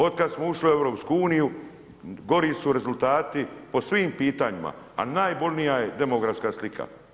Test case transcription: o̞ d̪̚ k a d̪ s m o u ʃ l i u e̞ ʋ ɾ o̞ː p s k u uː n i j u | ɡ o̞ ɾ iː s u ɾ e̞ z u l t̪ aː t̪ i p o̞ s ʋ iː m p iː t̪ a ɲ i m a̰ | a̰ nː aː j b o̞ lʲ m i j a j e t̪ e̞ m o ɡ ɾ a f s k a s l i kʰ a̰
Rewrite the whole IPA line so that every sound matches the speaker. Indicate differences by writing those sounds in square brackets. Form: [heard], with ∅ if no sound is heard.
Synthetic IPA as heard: o̞ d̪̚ k a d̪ s m o u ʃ l i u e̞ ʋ ɾ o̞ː p s k u uː n i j u | ɡ o̞ ɾ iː s u ɾ e̞ z u l t̪ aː t̪ i p o̞ s ʋ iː m p iː t̪ a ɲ i m a̰ | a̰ [n] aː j b o̞ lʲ [n] i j a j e [d̪] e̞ m o ɡ ɾ a f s k a s l i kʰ a̰